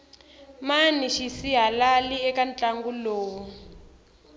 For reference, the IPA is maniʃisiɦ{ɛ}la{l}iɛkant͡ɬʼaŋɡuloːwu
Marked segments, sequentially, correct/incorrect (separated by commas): incorrect, correct